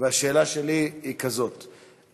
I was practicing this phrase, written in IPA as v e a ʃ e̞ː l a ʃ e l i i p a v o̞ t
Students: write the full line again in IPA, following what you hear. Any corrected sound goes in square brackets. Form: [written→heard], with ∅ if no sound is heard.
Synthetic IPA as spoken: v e a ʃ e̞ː l a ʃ e l i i [p→k] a [v→z] o̞ t